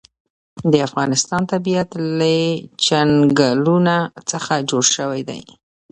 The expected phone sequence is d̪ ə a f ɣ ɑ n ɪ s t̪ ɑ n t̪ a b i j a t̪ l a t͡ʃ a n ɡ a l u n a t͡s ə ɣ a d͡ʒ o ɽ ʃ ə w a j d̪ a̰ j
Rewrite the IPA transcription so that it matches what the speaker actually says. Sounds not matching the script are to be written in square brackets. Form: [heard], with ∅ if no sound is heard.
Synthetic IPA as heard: d̪ ə a f ɣ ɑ n ɪ s t̪ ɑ n t̪ a b i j a t̪ l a t͡ʃ a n ɡ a l u n a t͡s ə [x] a d͡ʒ o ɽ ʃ ə w a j d̪ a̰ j